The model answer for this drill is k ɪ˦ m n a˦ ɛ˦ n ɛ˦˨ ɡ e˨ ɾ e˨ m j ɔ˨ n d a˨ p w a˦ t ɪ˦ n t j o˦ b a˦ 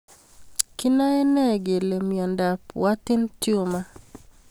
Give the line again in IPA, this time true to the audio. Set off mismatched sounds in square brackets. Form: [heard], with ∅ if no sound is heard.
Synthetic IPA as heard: k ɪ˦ [∅] n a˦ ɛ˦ n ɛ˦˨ ɡ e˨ [l] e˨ m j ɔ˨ n d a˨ p w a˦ t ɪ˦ n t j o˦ [m] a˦